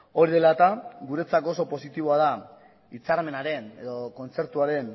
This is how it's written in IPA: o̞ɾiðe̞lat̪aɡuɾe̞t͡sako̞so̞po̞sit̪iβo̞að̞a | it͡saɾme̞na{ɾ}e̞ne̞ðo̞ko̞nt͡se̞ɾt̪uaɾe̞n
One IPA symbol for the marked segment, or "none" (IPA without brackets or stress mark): ɾ